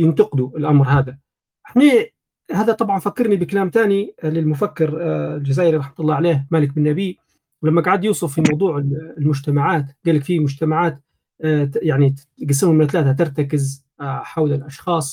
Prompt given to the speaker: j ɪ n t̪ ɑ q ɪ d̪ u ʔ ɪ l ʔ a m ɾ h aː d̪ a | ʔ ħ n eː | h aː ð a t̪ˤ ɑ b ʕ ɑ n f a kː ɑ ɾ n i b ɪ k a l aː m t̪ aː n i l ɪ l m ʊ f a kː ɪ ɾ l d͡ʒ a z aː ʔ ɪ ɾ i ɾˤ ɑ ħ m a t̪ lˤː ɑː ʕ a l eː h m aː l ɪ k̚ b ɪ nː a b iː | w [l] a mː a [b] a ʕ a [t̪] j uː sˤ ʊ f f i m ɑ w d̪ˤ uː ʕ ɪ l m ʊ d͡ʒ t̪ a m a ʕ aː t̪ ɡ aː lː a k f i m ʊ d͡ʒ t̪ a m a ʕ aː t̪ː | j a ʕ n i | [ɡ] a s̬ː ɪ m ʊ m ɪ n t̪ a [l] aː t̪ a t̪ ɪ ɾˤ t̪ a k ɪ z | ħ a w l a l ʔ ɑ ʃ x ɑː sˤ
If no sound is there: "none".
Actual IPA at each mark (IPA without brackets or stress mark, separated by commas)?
l, ɡ, d̪, ɡ, l